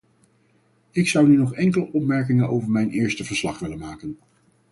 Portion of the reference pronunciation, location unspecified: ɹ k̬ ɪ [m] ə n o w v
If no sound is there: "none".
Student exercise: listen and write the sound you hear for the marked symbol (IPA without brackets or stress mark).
ŋ